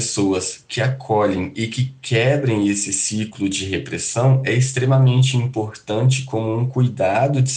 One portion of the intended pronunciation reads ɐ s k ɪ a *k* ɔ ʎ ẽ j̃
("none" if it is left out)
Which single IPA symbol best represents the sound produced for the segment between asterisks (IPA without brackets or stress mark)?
kʰ